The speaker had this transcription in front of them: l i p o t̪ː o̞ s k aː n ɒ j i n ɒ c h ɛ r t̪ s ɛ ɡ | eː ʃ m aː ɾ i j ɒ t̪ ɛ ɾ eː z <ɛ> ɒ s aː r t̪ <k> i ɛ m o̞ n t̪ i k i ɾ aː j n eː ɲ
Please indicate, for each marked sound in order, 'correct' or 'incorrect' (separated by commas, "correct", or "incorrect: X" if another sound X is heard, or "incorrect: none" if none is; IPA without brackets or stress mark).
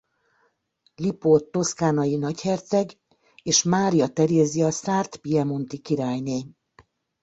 incorrect: i, incorrect: p